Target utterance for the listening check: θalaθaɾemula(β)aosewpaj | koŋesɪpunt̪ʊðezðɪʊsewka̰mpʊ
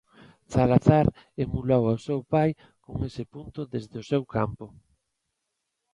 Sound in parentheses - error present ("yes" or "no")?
yes